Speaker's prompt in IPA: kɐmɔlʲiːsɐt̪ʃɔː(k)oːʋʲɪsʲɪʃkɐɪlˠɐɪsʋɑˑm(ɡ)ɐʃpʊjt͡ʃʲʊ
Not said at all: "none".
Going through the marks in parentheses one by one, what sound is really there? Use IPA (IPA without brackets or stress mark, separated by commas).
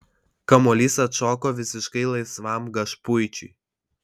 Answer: k, ɡ